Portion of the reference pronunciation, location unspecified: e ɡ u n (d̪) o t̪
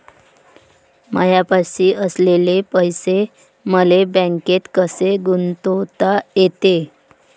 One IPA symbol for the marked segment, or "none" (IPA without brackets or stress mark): t̪